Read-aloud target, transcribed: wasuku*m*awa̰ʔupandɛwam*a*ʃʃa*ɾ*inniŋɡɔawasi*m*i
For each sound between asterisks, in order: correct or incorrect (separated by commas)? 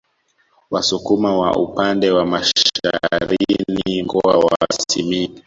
correct, correct, correct, correct